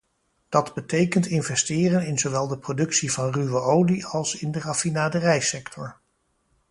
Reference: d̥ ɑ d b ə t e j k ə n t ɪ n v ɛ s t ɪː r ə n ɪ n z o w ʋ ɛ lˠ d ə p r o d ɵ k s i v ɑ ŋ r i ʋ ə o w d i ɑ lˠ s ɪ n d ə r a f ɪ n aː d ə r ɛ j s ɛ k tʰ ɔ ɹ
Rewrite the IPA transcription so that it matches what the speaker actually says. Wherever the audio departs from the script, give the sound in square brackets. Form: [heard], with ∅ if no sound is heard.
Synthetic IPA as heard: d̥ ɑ d b ə t e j k ə n t ɪ n v ɛ s t ɪː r ə n ɪ n z o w ʋ ɛ lˠ d ə p r o d ɵ k s i v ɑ [n] r [y] ʋ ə o w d i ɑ lˠ s ɪ n d ə r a f [i] n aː d ə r ɛ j s ɛ k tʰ ɔ ɹ